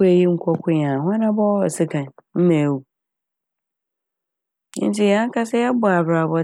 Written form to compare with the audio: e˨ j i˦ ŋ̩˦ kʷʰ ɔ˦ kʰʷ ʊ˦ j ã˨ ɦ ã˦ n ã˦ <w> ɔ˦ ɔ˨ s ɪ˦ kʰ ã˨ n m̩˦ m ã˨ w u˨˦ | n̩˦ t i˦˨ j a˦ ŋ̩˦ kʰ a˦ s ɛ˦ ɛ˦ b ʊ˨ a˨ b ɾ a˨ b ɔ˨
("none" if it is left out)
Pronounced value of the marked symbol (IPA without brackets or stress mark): b